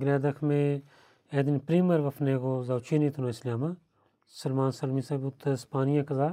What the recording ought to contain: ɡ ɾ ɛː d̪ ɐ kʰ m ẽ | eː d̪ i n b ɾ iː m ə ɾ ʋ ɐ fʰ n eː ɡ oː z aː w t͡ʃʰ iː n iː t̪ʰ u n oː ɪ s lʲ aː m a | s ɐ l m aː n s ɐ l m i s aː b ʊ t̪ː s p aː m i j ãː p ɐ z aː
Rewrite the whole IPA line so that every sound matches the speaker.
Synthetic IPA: ɡ ɾ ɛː d̪ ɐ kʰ m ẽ | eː d̪ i n p ɾ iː m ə ɾ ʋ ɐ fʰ n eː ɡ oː z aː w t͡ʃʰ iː n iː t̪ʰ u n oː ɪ s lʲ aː m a | s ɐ l m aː n s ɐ l m i s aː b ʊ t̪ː s p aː n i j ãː k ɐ z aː